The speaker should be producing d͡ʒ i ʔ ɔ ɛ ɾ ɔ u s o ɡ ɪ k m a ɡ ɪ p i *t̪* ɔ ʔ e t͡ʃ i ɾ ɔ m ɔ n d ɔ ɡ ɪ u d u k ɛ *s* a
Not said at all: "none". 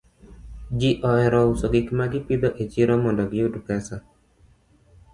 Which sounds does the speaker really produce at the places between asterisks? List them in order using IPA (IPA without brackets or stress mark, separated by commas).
d̪, s